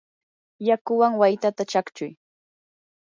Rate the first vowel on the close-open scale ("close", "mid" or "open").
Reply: open